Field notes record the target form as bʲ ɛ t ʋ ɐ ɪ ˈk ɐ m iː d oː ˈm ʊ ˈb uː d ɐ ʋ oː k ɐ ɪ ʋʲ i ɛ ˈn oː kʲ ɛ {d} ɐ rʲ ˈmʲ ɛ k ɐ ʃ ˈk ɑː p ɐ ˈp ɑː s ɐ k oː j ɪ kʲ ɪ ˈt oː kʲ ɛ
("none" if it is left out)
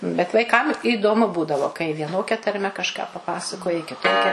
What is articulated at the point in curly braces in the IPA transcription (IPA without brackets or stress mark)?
t